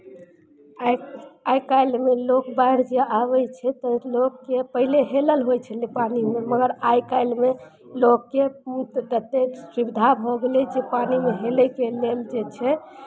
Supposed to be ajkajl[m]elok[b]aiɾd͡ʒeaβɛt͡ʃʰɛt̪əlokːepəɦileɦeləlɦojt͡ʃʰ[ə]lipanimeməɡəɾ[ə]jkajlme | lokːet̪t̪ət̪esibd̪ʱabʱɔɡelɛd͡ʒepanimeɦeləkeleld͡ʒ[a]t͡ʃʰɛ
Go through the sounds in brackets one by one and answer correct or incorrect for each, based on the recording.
correct, correct, correct, incorrect: a, incorrect: e

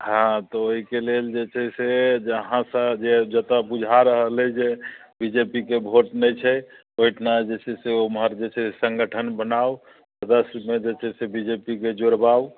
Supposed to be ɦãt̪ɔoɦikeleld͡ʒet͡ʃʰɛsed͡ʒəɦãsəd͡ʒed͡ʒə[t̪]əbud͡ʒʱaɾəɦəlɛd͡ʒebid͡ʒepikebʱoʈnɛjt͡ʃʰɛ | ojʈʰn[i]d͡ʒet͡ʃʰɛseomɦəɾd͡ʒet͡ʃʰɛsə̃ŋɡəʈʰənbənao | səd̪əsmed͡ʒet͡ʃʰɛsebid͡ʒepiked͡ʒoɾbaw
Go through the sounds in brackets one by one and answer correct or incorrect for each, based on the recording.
correct, incorrect: a

